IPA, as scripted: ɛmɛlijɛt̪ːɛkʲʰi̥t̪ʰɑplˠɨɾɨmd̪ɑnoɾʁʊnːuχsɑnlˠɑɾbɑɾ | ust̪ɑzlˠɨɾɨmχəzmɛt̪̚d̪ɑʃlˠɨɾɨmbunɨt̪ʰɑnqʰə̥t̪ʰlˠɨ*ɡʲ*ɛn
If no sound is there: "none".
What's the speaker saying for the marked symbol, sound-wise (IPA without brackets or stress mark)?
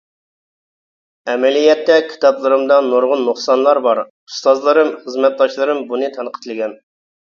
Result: ɡʲ